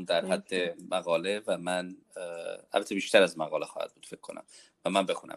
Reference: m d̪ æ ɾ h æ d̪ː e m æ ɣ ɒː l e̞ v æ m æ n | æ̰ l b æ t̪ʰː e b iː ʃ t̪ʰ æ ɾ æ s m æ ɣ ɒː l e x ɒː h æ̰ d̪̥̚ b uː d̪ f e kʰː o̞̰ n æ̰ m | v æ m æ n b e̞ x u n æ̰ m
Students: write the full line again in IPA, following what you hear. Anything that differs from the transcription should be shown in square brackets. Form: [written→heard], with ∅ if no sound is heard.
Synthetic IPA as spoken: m d̪ æ ɾ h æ d̪ː e m æ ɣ ɒː l e̞ v æ m æ n | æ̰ l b æ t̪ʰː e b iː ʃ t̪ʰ æ ɾ æ [s→z] m æ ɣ ɒː l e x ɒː h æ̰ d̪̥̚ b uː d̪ f e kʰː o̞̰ n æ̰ m | v æ m æ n b e̞ x u n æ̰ m